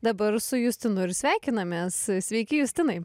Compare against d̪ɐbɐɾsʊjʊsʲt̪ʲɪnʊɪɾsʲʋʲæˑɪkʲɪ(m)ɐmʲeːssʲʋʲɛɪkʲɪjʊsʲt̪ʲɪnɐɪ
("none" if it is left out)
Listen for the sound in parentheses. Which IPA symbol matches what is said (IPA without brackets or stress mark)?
n